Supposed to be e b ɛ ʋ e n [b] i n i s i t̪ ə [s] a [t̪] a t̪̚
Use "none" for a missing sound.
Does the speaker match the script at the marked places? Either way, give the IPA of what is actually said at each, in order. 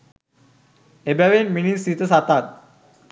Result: m, s, t̪

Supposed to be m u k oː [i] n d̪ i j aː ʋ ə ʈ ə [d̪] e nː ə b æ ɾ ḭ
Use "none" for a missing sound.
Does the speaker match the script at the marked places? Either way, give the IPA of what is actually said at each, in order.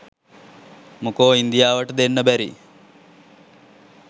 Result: i, d̪

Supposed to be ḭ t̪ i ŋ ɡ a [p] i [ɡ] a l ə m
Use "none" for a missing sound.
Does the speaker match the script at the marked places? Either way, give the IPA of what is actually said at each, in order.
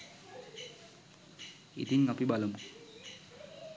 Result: p, b

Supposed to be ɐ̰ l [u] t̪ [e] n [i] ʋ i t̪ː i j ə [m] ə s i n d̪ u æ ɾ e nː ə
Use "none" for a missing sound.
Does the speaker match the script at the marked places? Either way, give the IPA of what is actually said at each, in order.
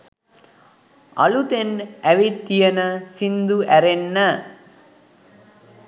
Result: u, e, æ, n

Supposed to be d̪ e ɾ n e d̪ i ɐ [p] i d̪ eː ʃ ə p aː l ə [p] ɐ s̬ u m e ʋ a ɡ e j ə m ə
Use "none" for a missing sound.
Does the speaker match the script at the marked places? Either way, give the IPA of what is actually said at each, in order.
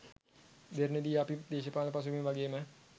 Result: p, p

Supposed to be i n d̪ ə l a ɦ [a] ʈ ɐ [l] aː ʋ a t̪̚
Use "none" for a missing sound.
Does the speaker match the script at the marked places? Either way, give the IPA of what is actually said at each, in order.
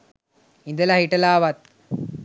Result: i, l

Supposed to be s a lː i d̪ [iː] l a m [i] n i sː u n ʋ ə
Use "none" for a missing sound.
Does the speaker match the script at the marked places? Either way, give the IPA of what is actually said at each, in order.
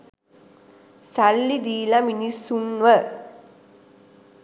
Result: iː, i

